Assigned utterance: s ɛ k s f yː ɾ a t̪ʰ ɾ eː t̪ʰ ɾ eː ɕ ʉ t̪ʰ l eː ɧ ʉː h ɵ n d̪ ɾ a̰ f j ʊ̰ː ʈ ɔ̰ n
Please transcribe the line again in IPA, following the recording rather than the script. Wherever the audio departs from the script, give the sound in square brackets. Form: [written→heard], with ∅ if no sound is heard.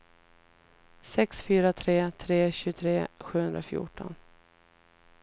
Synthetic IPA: s ɛ k s f yː ɾ a t̪ʰ ɾ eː t̪ʰ ɾ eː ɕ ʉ t̪ʰ [l→ɾ] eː ɧ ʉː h ɵ n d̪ ɾ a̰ f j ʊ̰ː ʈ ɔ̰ n